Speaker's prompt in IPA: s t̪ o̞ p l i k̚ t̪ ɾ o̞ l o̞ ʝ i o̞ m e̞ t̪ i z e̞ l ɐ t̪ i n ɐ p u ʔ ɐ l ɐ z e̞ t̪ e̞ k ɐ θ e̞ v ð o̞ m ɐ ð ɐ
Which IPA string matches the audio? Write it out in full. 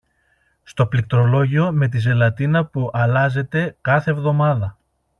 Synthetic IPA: s t̪ o̞ p l i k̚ t̪ ɾ o̞ l o̞ ʝ i o̞ m e̞ t̪ i z e̞ l ɐ t̪ i n ɐ p u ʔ ɐ l ɐ z e̞ t̪ e̞ k ɐ θ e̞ v ð o̞ m ɐ ð ɐ

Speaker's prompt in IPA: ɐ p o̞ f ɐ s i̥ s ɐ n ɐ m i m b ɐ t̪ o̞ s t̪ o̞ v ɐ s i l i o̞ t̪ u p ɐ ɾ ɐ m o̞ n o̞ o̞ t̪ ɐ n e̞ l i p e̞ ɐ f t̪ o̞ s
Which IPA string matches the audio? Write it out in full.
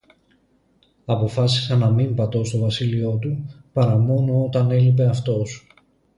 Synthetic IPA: ɐ p o̞ f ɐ s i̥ s ɐ n ɐ m i m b ɐ t̪ o̞ s t̪ o̞ v ɐ s i l i o̞ t̪ u p ɐ ɾ ɐ m o̞ n o̞ o̞ t̪ ɐ n e̞ l i p e̞ ɐ f t̪ o̞ s

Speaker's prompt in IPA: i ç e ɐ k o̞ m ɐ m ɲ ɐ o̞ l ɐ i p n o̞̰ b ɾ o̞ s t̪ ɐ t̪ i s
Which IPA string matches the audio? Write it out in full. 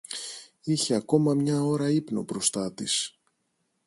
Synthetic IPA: i ç e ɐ k o̞ m ɐ m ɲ ɐ o̞ ɾ ɐ i p n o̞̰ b ɾ o̞ s t̪ ɐ t̪ i s

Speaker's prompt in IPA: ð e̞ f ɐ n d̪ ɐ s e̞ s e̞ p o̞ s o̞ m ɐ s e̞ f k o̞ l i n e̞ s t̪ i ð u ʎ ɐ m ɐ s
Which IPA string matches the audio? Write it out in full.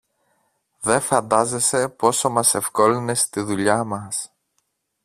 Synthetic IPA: ð e̞ f ɐ n d̪ ɐ z e̞ s e̞ p o̞ s o̞ m ɐ s e̞ f k o̞ l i n e̞ s t̪ i ð u ʎ ɐ m ɐ s

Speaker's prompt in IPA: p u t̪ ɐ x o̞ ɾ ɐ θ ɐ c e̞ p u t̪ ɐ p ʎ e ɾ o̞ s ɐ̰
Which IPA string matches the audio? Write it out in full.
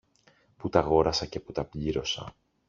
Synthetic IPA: p u t̪ ɐ ɣ o̞ ɾ ɐ s ɐ c e̞ p u t̪ ɐ p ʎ i ɾ o̞ s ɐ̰

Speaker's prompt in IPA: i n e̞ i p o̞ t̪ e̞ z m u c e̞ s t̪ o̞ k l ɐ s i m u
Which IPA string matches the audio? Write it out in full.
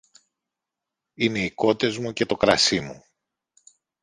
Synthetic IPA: i n e̞ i k o̞ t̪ e̞ z m u c e̞ t̪ o̞ k ɾ ɐ s i m u

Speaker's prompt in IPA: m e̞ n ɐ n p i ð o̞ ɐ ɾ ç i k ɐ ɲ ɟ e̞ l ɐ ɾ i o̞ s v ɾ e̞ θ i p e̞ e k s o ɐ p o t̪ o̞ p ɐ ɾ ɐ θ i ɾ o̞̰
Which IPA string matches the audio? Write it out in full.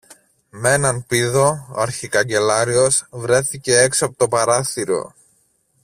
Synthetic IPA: m e̞ n ɐ n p i ð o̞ ɐ ɾ ç i k ɐ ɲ ɟ e̞ l ɐ ɾ i o̞ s v ɾ e̞ θ i c e̞ e k s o ɐ p o t̪ o̞ p ɐ ɾ ɐ θ i ɾ o̞̰

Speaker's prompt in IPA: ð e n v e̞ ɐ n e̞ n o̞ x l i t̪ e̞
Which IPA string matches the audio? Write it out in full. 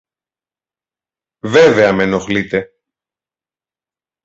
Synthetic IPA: v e v e̞ ɐ m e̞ n o̞ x l i t̪ e̞

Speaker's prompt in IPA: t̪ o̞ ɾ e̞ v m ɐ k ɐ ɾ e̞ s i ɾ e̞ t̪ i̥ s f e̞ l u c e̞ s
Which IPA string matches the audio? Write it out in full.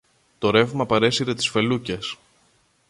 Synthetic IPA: t̪ o̞ ɾ e̞ v m ɐ p ɐ ɾ e̞ s i ɾ e̞ t̪ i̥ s f e̞ l u c e̞ s

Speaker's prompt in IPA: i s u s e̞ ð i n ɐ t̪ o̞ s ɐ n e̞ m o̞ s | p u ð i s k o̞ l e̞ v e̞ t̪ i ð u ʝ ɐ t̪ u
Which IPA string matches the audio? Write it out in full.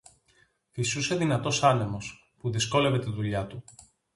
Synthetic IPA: i s u s e̞ ð i n ɐ t̪ o̞ s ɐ n e̞ m o̞ s | p u ð i s k o̞ l e̞ v e̞ t̪ i ð u ʎ ɐ t̪ u

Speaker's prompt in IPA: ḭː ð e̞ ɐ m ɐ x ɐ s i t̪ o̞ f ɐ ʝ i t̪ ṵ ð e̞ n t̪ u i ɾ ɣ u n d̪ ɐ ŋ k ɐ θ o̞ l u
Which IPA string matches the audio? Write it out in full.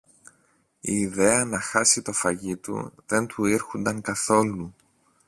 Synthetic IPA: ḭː ð e̞ ɐ n ɐ x ɐ s i t̪ o̞ f ɐ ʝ i t̪ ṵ ð e̞ n t̪ u i ɾ x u n d̪ ɐ ŋ k ɐ θ o̞ l u

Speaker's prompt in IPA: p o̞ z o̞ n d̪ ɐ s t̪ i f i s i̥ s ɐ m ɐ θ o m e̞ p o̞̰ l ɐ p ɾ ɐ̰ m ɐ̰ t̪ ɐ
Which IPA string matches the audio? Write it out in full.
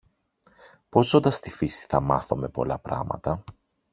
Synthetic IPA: p o̞ z o̞ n d̪ ɐ s t̪ i f i s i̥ θ ɐ m ɐ θ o m e̞ p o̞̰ l ɐ p ɾ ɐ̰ m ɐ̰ t̪ ɐ

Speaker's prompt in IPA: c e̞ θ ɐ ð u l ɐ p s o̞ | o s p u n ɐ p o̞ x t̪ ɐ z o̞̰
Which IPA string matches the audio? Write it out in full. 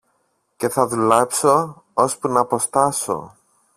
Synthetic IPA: c e̞ θ ɐ ð u l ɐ p s o̞ | o s p u n ɐ p o̞ s t̪ ɐ s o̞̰

